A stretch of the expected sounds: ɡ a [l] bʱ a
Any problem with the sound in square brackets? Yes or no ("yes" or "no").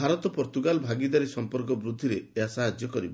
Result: no